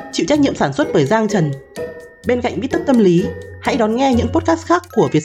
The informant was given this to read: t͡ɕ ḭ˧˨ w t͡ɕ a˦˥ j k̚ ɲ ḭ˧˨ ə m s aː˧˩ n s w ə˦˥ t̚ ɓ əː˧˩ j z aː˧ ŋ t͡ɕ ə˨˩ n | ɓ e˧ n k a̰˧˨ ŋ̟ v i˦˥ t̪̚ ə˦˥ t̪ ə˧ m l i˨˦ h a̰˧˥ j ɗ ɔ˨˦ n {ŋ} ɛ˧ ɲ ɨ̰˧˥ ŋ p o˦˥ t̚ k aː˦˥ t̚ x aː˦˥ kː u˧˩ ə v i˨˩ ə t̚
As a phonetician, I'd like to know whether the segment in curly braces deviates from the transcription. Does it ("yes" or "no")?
no